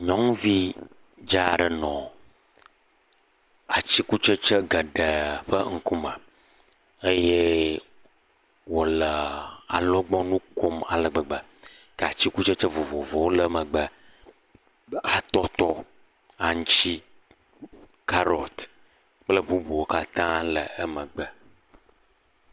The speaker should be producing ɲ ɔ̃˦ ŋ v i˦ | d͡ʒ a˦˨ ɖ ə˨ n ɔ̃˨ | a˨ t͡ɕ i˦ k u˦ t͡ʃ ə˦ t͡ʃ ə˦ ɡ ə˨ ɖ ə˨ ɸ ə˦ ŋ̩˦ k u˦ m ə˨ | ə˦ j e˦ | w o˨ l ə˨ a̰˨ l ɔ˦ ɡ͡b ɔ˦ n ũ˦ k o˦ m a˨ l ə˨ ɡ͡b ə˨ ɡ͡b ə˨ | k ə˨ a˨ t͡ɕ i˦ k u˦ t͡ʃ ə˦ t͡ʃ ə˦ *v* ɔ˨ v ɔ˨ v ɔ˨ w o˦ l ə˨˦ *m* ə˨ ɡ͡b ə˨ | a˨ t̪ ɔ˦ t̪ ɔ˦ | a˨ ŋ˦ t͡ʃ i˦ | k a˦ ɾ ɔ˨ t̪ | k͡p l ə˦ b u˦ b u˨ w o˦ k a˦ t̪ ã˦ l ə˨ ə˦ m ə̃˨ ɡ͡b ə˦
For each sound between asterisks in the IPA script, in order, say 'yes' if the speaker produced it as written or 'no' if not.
yes, yes

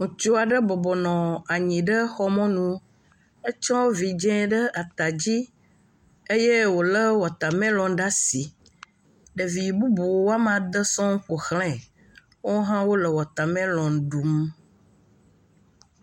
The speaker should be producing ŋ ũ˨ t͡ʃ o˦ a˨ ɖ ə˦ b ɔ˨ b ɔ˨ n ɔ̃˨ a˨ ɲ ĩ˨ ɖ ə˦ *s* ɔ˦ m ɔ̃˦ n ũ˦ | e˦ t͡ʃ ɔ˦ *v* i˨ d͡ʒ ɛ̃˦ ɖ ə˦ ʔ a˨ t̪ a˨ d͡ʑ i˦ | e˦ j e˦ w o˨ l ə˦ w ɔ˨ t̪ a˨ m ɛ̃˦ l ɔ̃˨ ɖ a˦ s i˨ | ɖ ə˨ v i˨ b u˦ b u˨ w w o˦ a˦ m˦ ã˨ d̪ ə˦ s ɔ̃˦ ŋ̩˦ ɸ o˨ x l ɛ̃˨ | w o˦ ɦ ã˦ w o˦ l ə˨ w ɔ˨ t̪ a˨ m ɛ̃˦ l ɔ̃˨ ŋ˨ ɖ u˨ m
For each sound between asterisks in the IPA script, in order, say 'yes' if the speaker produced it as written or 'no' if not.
no, yes

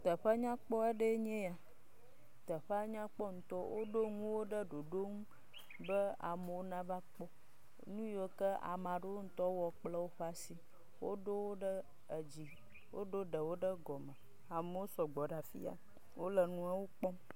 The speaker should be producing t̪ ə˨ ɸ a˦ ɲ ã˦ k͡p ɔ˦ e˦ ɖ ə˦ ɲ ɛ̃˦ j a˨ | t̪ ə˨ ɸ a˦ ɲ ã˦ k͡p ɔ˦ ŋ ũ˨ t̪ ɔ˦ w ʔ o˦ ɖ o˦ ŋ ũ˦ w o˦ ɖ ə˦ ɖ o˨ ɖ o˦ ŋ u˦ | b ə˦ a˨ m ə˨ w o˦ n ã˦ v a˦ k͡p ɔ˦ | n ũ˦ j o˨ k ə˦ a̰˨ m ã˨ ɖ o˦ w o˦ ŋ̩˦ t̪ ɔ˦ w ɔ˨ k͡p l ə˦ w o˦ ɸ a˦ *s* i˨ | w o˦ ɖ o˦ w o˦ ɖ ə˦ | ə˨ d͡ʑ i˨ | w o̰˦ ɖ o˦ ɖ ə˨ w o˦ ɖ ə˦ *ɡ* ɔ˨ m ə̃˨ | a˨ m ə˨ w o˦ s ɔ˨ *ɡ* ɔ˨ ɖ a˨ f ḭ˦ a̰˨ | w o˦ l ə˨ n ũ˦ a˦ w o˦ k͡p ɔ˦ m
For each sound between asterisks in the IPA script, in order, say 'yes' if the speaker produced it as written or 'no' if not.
yes, yes, no

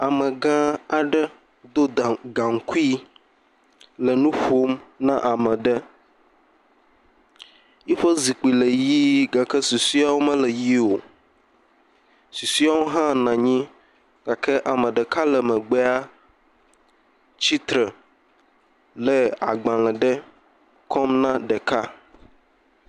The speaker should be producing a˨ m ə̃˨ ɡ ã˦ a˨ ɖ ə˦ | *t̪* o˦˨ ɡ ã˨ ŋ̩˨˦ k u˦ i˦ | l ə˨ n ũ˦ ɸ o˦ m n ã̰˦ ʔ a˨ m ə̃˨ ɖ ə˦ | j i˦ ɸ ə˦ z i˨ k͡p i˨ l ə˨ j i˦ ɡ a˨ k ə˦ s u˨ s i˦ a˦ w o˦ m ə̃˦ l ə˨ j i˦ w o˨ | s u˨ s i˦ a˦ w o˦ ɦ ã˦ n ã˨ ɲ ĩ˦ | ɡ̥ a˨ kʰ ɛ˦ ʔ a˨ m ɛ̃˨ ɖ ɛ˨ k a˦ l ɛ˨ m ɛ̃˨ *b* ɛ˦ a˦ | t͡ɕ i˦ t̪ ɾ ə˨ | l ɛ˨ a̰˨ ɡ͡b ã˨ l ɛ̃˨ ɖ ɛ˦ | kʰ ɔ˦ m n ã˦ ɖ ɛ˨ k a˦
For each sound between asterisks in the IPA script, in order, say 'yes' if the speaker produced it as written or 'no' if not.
no, no

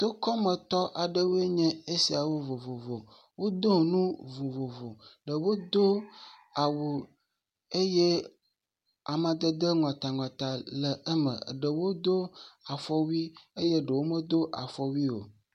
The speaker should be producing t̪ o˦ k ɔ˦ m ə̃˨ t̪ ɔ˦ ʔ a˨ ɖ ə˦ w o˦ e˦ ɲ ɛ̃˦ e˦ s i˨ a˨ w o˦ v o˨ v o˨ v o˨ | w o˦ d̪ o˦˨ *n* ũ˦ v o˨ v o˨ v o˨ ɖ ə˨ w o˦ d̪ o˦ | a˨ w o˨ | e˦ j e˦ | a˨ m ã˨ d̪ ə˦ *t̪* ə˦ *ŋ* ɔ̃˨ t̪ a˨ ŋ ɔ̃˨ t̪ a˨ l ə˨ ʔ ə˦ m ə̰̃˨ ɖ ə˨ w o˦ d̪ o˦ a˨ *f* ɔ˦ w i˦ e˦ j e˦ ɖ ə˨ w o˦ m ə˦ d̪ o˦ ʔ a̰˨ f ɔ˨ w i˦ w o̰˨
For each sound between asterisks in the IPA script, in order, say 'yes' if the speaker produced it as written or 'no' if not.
yes, no, yes, yes

